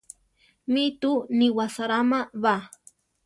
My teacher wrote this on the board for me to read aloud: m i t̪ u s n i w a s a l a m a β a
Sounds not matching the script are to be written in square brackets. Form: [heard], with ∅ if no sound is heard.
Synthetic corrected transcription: m i t̪ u [∅] n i w a s a [ɾ] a m a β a